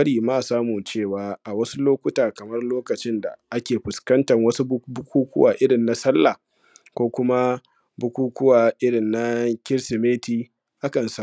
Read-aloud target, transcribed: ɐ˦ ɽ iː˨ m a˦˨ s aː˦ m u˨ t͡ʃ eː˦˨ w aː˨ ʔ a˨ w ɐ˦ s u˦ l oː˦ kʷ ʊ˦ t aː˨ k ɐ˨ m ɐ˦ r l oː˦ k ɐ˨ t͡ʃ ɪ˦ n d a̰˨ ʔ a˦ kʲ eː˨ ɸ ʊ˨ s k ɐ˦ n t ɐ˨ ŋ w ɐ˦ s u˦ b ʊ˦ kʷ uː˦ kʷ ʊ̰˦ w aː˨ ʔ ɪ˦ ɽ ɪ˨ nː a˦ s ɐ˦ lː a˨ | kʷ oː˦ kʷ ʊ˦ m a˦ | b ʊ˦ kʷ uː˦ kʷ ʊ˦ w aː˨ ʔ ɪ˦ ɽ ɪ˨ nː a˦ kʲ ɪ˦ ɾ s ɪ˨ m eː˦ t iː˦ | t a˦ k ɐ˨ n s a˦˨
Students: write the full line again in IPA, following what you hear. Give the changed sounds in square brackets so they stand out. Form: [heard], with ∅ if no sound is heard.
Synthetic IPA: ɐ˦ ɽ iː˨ m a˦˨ s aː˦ m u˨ t͡ʃ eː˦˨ w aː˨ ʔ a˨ w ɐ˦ s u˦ l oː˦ kʷ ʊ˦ t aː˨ k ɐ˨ m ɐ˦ r l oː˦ k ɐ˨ t͡ʃ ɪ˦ n d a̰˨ ʔ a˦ kʲ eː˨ ɸ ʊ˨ s k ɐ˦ n t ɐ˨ ŋ w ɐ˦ s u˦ b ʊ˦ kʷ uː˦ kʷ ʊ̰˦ w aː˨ ʔ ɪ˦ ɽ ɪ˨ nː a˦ s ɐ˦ lː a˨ | kʷ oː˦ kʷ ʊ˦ m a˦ | b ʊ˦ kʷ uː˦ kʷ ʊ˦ w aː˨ ʔ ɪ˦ ɽ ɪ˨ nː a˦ kʲ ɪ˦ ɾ s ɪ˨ m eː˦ t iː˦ | [ʔ] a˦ k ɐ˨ n s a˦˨